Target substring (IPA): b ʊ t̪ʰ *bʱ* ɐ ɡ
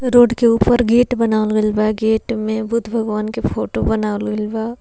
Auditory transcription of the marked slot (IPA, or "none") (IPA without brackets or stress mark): bʱ